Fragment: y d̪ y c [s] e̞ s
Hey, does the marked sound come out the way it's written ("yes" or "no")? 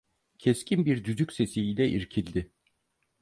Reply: yes